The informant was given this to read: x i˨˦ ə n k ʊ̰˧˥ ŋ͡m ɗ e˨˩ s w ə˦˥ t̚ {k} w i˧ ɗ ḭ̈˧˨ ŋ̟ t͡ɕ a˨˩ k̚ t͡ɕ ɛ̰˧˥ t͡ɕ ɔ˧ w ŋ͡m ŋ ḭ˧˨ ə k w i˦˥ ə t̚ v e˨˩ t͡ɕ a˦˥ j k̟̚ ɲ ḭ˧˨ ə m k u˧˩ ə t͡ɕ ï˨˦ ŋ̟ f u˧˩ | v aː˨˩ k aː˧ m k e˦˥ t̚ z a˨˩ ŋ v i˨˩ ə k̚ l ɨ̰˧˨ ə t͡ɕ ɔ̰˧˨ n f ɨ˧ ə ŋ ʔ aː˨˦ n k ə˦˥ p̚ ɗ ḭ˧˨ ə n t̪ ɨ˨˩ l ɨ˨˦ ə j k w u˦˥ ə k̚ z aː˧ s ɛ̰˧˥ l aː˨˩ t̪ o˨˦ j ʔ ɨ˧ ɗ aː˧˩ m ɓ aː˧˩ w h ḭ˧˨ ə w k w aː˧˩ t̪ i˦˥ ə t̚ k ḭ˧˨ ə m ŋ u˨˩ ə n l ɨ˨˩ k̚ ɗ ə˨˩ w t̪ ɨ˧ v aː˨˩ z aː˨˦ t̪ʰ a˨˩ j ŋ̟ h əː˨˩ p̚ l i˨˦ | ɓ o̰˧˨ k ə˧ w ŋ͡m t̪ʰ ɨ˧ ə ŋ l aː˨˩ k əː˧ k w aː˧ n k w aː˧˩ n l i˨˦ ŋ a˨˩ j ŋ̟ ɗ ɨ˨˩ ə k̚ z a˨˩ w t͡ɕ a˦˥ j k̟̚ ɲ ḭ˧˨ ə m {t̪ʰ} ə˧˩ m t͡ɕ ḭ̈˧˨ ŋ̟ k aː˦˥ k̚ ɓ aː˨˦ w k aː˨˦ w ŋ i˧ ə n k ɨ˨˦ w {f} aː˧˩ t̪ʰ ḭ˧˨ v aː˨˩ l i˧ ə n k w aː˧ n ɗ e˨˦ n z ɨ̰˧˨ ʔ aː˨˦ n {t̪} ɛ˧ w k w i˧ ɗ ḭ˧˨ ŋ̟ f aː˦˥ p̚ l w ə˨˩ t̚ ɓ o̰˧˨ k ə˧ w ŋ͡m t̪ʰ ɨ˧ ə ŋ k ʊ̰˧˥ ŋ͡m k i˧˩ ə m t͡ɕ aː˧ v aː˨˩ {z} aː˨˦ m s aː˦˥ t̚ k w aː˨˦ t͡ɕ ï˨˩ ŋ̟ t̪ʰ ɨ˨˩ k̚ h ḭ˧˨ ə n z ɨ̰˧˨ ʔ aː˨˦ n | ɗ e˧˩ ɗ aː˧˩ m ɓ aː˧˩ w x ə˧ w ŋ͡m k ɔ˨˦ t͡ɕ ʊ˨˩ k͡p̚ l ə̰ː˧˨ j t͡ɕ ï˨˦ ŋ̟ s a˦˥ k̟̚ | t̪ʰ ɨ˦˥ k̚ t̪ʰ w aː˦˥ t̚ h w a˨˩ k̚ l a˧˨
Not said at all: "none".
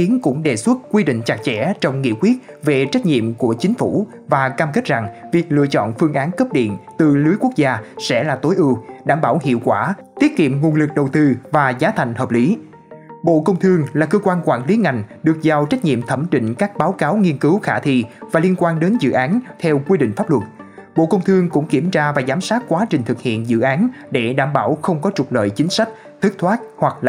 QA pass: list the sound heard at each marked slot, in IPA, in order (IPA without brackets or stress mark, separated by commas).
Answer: k, t̪ʰ, x, t̪ʰ, z